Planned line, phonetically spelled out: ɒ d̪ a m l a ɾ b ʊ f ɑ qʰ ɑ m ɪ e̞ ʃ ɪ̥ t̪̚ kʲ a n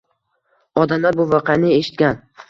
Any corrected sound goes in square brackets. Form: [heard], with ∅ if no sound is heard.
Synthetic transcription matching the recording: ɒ d̪ a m l a ɾ b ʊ [v] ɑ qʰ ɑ [n] ɪ e̞ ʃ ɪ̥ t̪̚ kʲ a n